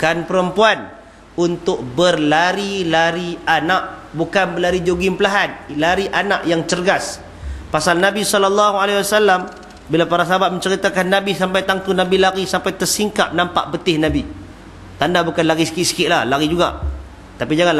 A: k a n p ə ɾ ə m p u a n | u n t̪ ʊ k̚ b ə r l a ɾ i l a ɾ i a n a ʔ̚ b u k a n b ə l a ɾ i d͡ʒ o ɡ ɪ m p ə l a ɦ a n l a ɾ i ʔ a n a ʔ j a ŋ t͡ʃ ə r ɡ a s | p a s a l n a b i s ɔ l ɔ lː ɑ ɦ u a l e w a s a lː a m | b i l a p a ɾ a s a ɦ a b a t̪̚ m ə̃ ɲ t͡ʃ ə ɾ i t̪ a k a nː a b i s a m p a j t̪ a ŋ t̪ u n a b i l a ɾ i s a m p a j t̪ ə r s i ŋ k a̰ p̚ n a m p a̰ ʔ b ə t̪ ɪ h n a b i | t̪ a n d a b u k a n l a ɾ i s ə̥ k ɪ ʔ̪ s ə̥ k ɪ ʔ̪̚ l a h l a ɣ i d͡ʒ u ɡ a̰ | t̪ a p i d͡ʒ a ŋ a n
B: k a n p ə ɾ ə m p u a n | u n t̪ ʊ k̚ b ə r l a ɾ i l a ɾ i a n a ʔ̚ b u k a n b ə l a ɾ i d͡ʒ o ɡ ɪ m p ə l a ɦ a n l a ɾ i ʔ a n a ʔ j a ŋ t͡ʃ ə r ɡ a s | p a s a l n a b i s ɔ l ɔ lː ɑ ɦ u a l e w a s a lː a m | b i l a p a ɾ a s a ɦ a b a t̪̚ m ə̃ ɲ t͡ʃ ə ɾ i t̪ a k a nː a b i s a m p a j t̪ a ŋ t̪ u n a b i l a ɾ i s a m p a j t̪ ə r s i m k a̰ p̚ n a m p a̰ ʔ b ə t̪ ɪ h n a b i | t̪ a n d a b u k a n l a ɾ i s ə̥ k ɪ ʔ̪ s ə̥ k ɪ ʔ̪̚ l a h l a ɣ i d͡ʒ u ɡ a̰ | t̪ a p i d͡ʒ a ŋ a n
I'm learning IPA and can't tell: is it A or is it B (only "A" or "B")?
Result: A